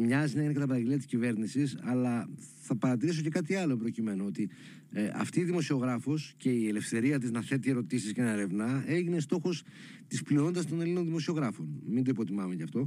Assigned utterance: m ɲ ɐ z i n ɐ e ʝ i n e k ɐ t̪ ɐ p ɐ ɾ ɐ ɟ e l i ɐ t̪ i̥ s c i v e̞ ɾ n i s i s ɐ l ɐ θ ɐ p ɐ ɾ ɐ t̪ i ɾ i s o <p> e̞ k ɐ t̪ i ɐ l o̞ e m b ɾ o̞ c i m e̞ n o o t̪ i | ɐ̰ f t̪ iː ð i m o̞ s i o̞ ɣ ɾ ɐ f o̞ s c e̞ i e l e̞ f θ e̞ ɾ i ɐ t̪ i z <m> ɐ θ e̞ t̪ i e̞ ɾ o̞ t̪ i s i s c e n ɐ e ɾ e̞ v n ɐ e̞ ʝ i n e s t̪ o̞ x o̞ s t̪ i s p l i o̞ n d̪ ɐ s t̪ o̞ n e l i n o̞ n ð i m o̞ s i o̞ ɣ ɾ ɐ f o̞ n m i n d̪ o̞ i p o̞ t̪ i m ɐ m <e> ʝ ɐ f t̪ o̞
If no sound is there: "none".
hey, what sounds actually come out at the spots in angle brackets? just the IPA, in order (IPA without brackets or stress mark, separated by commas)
c, n, e